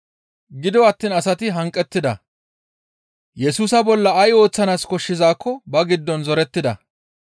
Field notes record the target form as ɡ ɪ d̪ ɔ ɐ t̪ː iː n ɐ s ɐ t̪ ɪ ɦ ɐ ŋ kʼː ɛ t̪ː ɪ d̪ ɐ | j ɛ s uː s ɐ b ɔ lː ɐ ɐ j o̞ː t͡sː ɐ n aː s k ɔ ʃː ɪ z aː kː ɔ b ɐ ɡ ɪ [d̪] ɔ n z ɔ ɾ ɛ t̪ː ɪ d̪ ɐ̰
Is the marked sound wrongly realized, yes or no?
yes